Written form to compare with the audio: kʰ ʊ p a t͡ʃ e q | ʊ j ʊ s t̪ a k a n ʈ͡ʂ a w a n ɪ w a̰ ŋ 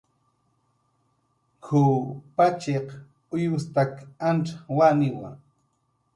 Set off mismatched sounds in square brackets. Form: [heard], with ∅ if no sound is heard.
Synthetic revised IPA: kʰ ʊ p a t͡ʃ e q | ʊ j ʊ s t̪ a k a n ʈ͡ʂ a w a n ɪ w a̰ ŋ